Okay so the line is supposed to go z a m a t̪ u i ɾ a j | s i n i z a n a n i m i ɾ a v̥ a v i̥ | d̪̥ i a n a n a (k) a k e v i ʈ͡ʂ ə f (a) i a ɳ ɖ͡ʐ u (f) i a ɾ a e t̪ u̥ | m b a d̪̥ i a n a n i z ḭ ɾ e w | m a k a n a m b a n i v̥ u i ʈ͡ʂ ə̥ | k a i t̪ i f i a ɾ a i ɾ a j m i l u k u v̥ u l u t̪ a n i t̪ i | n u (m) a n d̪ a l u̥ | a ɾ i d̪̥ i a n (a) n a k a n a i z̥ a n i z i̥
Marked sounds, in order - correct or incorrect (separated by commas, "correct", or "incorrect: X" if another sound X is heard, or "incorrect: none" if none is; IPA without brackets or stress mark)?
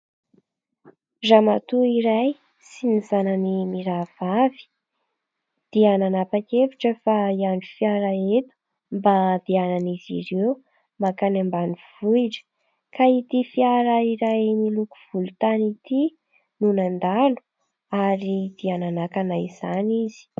incorrect: p, correct, correct, incorrect: n, correct